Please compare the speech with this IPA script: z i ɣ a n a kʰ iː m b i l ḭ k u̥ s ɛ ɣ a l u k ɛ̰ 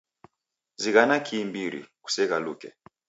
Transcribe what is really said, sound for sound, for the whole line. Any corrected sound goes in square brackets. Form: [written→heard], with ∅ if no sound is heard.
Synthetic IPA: z i ɣ a n a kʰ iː m b i [l→ɾ] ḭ k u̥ s ɛ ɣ a l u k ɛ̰